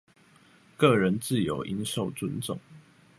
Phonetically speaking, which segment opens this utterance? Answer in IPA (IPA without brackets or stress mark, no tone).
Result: k